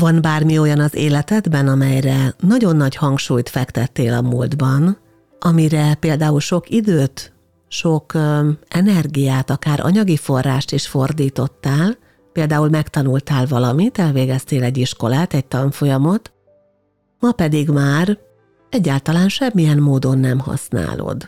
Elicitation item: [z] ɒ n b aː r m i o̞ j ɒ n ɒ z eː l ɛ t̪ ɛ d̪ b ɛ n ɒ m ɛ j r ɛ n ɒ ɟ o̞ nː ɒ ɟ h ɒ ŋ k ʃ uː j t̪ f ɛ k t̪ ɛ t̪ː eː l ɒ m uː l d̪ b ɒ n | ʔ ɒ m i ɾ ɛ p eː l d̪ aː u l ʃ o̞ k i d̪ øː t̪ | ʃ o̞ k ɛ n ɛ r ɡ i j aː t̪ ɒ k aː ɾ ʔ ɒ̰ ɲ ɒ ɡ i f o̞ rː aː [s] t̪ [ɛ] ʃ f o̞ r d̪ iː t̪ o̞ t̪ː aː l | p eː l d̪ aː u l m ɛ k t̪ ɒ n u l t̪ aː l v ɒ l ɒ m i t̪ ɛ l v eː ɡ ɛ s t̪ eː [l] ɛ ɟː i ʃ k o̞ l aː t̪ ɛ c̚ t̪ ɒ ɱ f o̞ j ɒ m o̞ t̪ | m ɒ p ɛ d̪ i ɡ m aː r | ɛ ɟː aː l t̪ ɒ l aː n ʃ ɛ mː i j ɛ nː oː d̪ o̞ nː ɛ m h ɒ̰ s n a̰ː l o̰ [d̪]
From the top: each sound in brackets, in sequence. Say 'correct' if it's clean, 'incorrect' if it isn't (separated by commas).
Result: incorrect, incorrect, incorrect, correct, correct